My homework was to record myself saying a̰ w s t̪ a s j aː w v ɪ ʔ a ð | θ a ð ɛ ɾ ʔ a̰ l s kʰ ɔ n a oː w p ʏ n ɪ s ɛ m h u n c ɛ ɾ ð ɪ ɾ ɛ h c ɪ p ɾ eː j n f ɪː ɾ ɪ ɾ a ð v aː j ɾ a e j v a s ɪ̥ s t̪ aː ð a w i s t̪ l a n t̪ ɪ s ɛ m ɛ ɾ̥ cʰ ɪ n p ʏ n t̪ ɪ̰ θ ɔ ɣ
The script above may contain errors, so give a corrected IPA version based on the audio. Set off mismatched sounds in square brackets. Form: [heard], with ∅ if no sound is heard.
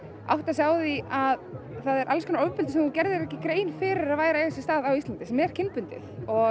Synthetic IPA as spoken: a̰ w [h] t̪ a s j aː w [ð] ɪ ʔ a ð | θ a ð ɛ ɾ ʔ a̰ l s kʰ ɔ n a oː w p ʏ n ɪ s ɛ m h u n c ɛ ɾ ð ɪ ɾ ɛ h c ɪ [k] ɾ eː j n f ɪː ɾ ɪ ɾ a ð v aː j ɾ a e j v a s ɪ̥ s t̪ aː ð a w i s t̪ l a n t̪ ɪ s ɛ m ɛ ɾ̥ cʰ ɪ n p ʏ n t̪ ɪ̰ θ ɔ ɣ